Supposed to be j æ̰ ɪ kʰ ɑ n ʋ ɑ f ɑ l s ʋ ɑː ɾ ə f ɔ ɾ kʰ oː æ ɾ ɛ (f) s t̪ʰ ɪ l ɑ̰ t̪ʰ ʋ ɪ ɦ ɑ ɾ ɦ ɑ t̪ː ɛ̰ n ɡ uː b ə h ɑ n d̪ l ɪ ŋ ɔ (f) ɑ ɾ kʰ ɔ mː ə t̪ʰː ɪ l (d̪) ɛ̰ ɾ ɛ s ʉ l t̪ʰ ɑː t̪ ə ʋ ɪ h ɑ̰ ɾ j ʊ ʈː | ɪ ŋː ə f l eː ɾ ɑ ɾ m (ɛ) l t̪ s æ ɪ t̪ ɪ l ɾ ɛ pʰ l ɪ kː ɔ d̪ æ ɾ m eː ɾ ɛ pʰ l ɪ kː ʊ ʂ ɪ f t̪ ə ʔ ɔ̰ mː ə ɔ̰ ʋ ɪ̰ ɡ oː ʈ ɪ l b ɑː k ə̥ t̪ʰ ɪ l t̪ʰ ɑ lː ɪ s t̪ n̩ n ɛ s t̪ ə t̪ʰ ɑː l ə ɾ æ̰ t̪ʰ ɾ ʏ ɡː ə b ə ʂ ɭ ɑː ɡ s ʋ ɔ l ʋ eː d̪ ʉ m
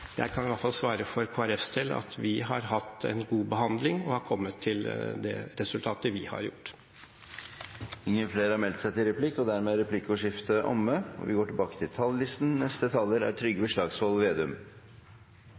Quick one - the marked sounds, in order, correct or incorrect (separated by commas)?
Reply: correct, incorrect, correct, correct